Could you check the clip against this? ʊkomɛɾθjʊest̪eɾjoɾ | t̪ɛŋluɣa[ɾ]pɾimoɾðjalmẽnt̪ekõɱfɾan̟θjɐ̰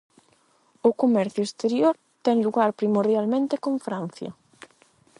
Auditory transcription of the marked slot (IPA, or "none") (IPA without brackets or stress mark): ɾ